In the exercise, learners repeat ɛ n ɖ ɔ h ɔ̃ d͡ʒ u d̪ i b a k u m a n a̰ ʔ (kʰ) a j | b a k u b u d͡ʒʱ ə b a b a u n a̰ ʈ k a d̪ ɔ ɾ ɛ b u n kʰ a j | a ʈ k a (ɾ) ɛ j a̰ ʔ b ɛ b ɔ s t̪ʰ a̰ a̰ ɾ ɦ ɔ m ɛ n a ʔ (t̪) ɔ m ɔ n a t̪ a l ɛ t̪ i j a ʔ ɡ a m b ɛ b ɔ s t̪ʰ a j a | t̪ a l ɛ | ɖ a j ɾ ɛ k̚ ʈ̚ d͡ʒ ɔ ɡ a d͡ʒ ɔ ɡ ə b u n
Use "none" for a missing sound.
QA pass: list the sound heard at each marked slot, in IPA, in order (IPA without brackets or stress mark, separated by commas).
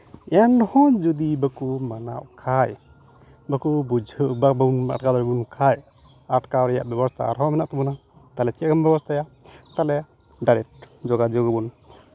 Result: kʰ, ɾ, t̪